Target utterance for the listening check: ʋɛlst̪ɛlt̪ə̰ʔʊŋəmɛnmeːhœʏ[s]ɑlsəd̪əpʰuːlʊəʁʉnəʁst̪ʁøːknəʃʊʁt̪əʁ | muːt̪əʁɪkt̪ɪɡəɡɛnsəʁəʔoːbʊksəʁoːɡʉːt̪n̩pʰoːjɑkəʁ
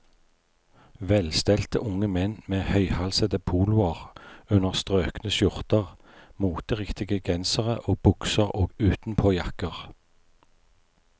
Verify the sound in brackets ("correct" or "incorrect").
incorrect